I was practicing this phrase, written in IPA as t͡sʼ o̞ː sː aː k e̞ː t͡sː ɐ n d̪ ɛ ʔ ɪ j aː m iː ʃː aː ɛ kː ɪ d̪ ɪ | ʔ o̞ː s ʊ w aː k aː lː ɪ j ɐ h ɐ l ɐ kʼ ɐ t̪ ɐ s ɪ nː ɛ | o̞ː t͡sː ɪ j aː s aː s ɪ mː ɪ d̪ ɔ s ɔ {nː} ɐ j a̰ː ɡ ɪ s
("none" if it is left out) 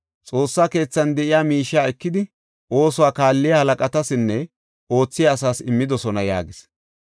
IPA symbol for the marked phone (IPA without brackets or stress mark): n